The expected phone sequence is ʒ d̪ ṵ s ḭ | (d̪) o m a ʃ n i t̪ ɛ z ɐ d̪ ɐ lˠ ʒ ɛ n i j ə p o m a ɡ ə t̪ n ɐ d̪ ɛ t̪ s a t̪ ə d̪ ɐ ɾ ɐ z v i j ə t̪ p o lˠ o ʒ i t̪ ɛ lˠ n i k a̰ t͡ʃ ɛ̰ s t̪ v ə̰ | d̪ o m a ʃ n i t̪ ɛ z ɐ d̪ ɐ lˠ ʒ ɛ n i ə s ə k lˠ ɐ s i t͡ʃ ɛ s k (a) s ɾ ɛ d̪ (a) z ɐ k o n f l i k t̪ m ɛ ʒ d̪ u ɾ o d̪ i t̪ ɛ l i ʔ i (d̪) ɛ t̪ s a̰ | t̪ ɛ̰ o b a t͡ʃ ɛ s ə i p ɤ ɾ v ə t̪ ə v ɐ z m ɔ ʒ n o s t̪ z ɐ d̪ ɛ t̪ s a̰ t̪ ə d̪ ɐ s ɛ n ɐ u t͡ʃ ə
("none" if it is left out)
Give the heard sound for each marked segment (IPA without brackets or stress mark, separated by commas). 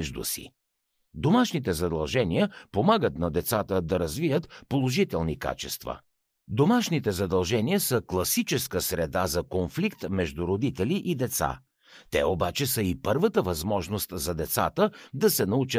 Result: d̪, ə, a, d̪